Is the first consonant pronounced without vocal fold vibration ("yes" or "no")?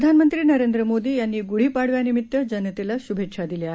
no